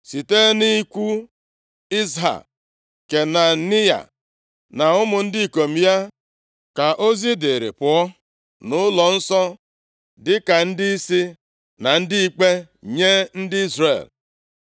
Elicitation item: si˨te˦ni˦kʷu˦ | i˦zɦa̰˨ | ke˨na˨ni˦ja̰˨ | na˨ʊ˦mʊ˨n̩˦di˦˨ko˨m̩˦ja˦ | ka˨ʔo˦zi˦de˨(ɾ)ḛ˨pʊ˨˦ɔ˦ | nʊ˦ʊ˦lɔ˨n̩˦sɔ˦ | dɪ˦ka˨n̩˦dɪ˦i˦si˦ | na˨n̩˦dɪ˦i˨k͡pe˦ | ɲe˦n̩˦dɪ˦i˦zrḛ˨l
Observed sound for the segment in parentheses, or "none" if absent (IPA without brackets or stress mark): ɾ